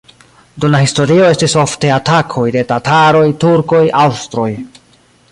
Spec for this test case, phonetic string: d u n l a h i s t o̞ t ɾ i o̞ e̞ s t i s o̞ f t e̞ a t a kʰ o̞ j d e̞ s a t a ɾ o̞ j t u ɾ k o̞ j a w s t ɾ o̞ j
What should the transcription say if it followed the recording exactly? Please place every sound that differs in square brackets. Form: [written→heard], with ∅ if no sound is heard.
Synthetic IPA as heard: d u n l a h i s t o̞ [t→∅] ɾ i o̞ e̞ s t i s o̞ f t e̞ a t a kʰ o̞ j d e̞ [s→t] a t a ɾ o̞ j t u ɾ k o̞ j a w s t ɾ o̞ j